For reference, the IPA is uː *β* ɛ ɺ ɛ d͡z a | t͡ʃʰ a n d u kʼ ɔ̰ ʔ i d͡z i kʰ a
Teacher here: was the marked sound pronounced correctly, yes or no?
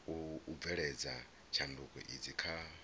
no